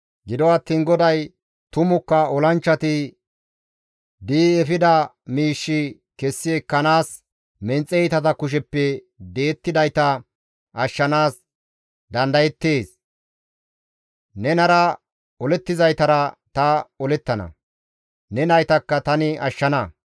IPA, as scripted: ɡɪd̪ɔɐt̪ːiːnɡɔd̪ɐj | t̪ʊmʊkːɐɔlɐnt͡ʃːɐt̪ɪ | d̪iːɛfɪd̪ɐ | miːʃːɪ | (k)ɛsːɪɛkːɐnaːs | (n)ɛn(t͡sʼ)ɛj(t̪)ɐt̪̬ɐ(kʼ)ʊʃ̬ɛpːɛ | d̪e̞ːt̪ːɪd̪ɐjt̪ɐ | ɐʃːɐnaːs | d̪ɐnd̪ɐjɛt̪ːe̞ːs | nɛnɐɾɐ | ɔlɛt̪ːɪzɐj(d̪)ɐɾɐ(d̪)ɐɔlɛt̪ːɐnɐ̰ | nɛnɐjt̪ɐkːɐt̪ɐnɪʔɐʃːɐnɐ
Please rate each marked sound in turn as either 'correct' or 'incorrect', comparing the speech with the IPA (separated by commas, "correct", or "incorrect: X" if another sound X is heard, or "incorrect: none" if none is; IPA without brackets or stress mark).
correct, incorrect: m, correct, correct, incorrect: k, incorrect: t̪, incorrect: t̪